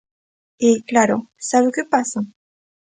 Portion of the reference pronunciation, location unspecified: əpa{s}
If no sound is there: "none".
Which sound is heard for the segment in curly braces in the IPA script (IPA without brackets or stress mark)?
s